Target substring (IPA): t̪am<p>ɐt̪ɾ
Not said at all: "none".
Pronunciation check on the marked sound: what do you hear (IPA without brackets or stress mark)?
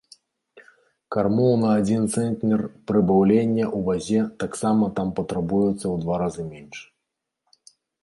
p